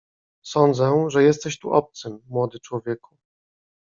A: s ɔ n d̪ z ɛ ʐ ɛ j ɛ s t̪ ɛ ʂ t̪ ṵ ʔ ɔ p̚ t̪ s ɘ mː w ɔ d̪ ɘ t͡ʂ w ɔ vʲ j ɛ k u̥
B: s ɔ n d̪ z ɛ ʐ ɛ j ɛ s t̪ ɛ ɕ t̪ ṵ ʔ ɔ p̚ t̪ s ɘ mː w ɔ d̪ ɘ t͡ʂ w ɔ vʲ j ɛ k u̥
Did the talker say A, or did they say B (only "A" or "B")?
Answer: B